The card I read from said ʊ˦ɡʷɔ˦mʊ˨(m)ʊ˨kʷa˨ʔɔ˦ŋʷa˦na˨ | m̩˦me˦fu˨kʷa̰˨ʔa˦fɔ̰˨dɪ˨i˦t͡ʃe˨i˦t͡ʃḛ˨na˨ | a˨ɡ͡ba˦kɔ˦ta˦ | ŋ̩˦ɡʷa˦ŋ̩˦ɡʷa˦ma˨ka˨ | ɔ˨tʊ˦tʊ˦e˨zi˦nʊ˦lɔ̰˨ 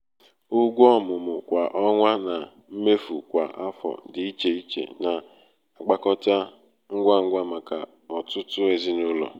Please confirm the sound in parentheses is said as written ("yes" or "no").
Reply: yes